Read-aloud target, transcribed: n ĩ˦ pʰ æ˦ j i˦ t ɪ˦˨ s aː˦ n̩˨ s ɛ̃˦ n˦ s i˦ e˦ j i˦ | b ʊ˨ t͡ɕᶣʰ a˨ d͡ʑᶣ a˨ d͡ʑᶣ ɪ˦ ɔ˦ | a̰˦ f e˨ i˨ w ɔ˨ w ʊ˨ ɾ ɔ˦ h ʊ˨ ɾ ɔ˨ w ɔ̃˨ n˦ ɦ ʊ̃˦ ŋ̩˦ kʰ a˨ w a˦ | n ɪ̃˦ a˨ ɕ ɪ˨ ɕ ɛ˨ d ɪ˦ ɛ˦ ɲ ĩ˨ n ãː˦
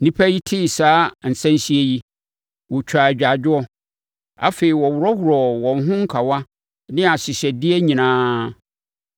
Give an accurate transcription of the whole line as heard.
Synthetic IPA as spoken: n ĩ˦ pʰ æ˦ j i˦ tʰ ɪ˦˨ s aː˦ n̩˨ s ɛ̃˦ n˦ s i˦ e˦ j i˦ | w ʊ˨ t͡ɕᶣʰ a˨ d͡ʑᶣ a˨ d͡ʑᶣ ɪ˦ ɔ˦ | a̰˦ f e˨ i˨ w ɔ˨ w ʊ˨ ɾ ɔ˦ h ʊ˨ ɾ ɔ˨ w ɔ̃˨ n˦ ɦ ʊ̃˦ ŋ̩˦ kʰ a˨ w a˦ | n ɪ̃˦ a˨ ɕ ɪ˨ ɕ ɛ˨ d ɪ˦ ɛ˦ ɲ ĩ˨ n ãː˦

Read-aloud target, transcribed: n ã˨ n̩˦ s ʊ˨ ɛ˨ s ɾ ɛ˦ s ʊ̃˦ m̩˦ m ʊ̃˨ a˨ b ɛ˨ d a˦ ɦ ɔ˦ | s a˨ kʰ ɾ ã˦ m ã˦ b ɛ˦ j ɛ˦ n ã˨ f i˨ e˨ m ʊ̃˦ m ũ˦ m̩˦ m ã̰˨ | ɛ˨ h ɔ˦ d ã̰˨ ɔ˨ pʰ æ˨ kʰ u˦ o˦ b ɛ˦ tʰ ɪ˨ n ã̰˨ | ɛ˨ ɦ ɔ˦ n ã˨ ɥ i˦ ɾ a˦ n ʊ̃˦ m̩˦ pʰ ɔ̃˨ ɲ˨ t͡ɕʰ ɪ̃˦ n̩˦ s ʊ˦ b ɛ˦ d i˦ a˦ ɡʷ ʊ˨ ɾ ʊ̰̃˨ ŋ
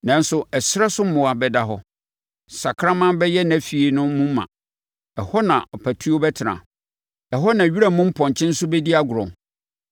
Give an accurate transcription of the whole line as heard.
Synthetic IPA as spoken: n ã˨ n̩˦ s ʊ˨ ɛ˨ s ɾ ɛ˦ s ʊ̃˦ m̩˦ m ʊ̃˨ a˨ b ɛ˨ d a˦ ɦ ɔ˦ | s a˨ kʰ ɾ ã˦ m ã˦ b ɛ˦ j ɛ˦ n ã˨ f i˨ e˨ n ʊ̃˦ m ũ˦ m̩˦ m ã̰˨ | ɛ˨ h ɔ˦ n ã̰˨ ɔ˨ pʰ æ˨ tʰ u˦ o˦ b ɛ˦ tʰ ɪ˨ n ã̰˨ | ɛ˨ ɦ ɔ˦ n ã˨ ɥ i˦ ɾ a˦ m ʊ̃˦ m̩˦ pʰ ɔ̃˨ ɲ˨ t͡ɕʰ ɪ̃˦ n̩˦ s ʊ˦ b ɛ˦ d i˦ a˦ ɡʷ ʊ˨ ɾ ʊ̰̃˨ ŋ

